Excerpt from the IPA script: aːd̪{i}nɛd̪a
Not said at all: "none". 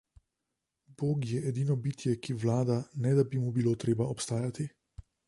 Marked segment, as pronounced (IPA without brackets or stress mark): a